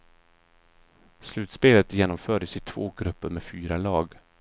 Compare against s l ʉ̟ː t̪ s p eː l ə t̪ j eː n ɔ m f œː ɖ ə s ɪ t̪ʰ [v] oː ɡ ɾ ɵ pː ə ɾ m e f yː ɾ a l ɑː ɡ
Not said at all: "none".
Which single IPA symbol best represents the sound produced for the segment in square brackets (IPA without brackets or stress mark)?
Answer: v